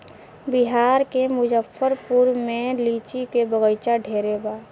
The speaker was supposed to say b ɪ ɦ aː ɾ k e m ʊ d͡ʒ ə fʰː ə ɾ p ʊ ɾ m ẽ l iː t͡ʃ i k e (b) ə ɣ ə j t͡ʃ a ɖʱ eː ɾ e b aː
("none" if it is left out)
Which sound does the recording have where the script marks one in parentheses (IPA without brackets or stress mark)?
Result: b